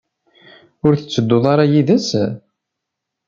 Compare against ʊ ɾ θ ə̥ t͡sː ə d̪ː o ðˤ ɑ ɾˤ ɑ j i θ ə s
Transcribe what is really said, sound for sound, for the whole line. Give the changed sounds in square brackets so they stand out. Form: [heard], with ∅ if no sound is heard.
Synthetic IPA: ʊ ɾ θ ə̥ t͡sː ə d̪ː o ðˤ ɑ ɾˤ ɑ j i [ð] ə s